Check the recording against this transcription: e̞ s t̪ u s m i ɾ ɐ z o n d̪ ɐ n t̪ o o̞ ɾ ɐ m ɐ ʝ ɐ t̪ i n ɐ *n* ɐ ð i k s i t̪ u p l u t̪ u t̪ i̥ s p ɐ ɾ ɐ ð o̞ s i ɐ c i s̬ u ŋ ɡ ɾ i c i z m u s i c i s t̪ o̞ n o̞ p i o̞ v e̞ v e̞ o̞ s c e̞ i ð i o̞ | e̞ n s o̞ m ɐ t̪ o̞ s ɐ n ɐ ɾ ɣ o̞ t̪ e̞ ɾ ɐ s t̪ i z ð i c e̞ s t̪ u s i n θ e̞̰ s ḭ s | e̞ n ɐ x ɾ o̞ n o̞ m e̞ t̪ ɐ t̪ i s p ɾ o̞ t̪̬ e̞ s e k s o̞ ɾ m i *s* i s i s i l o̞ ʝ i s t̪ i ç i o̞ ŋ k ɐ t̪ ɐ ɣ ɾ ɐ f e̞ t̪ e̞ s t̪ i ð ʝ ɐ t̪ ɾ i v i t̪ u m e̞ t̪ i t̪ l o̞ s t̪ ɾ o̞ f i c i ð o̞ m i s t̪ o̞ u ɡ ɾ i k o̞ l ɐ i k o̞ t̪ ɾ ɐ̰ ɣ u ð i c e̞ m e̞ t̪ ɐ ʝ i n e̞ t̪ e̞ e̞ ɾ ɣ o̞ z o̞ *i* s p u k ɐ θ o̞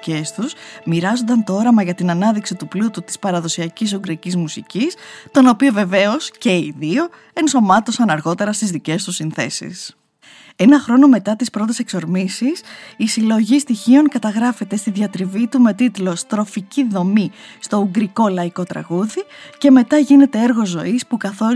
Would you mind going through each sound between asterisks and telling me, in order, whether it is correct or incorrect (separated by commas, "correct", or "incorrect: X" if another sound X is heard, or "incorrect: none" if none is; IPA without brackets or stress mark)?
correct, correct, correct